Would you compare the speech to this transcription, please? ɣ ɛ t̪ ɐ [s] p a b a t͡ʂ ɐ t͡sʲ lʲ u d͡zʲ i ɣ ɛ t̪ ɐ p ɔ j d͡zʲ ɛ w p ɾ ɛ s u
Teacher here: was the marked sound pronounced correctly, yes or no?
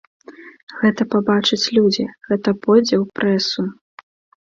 no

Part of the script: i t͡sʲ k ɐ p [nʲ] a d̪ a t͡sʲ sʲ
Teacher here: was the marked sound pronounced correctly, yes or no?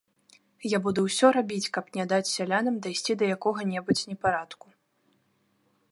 yes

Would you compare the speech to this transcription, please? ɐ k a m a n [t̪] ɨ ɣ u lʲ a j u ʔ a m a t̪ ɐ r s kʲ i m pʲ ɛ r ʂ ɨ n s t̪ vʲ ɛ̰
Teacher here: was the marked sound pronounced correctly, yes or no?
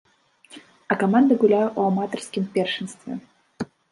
no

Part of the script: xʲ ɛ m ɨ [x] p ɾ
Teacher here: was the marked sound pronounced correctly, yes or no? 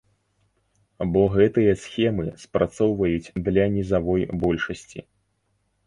no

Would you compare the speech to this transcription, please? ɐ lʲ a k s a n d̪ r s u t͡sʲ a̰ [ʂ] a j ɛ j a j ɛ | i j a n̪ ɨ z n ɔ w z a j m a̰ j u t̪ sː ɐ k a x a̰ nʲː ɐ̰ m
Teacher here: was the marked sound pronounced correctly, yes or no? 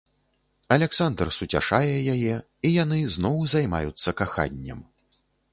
yes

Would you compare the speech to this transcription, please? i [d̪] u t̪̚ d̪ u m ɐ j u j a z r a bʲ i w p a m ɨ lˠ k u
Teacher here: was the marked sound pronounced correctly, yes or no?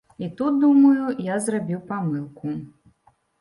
no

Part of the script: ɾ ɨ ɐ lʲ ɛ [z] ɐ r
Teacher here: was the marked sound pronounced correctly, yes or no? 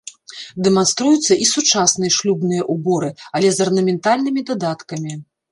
yes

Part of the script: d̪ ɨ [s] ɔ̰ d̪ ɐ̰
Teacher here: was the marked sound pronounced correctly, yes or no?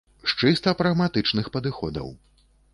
no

